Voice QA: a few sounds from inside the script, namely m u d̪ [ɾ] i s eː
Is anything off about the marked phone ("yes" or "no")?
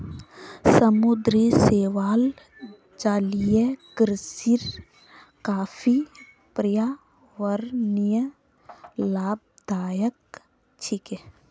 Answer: no